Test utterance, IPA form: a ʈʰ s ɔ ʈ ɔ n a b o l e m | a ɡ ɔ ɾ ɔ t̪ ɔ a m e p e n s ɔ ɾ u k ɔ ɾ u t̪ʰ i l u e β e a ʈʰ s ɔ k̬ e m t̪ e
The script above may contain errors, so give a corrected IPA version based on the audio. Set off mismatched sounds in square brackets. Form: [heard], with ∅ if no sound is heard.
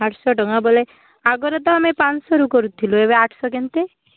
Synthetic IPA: a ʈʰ s ɔ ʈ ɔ [ŋ] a b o l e [∅] | a ɡ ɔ ɾ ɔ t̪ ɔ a m e p [a] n s ɔ ɾ u k ɔ ɾ u t̪ʰ i l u e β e a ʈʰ s ɔ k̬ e [n] t̪ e